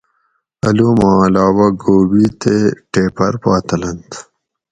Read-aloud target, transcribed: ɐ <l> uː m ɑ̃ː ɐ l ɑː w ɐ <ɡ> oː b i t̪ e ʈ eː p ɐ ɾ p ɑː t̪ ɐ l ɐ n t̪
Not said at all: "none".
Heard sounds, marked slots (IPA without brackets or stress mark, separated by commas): l, ɡ